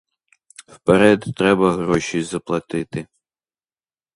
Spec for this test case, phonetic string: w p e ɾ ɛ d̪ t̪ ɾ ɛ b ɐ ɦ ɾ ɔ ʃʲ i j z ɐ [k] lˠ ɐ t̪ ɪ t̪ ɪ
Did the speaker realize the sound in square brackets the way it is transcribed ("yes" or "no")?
no